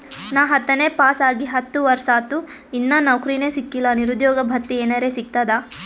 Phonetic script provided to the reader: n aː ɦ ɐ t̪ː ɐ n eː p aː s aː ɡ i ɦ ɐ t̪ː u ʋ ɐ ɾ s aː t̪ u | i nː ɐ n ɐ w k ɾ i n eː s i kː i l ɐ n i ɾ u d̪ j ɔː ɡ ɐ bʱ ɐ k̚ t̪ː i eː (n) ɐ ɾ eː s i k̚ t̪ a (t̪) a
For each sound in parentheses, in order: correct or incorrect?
correct, incorrect: d̪

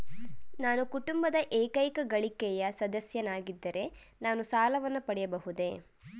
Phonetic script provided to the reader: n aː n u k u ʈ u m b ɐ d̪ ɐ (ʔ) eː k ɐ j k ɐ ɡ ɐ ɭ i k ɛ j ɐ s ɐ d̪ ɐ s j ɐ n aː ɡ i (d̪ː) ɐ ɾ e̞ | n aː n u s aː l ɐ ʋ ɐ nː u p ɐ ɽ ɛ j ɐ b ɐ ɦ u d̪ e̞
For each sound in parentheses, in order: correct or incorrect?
correct, correct

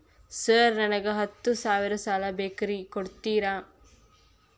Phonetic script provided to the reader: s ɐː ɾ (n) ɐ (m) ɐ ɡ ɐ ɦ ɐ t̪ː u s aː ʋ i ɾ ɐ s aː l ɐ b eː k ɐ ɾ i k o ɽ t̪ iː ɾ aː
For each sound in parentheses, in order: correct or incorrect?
correct, incorrect: n

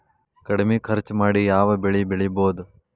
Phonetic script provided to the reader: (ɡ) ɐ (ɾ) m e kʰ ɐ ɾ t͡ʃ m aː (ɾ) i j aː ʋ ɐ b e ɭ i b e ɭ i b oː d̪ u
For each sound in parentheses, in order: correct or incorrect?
incorrect: k, incorrect: ɽ, incorrect: ɽ

